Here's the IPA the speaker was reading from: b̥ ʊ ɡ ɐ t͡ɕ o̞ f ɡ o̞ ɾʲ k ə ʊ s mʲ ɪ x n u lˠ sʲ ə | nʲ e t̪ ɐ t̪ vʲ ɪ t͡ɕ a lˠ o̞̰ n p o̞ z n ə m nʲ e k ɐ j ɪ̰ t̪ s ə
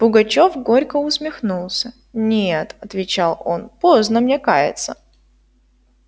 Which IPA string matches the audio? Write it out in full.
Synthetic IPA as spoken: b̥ ʊ ɡ ɐ t͡ɕ o̞ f ɡ o̞ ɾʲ k ə ʊ s mʲ ɪ x n u lˠ sʲ ə | nʲ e t̪ ɐ t̪ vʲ ɪ t͡ɕ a lˠ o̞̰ n p o̞ z n ə m nʲ e k a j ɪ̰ t̪ s ə

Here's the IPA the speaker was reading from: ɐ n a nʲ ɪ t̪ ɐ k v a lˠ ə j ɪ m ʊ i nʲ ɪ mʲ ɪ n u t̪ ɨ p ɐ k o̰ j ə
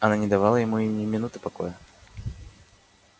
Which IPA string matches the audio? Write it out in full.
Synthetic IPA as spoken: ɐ n a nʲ ɪ d̪ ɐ v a lˠ ə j ɪ m u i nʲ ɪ mʲ ɪ n u t̪ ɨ p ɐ k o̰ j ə

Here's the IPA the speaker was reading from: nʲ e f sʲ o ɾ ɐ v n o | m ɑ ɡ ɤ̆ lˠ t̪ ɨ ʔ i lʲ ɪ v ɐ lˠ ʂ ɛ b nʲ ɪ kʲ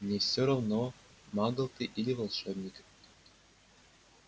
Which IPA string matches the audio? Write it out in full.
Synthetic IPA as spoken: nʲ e f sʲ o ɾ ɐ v n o | m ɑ ɡ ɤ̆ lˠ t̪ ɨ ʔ i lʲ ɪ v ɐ lˠ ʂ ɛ b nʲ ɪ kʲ

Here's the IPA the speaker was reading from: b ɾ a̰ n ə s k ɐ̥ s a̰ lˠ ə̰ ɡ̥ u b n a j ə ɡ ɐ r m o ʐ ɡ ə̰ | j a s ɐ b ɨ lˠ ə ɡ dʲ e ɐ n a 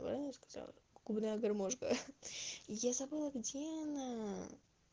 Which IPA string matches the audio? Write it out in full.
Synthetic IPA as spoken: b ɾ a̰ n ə s k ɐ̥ z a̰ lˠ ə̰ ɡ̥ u b n a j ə ɡ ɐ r m o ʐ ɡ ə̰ | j a z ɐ b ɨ lˠ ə ɡ dʲ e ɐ n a

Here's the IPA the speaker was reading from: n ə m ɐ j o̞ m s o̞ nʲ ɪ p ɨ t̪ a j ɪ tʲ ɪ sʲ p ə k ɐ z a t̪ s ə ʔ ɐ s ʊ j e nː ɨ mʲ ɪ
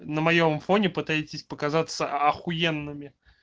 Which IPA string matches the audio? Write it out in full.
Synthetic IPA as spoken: n ə m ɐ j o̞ m f o̞ nʲ ɪ p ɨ t̪ a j ɪ tʲ ɪ sʲ p ə k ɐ z a t̪ s ə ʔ ɐ x ʊ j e nː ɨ mʲ ɪ

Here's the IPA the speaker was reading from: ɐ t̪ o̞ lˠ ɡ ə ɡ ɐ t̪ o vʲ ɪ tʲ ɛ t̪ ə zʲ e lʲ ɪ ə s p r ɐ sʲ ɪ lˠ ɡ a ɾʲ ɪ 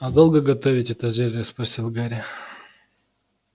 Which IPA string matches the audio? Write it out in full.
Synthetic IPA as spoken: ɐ d̪ o̞ lˠ ɡ ə ɡ ɐ t̪ o vʲ ɪ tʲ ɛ t̪ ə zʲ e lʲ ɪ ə s p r ɐ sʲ i lˠ ɡ a ɾʲ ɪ

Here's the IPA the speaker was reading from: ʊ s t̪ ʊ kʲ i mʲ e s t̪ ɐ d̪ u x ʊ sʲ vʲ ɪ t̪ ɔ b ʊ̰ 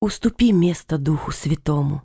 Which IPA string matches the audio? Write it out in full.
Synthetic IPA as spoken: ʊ s t̪ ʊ pʲ i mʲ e s t̪ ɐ d̪ u x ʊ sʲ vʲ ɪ t̪ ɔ m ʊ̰

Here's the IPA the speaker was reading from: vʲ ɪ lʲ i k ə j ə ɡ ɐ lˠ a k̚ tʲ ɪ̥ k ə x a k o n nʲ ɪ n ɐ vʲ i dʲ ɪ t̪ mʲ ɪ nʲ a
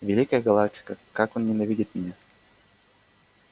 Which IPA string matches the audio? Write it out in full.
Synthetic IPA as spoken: vʲ ɪ lʲ i k ə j ə ɡ ɐ lˠ a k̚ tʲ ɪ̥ k ə k a k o n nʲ ɪ n ɐ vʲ i dʲ ɪ t̪ mʲ ɪ nʲ a

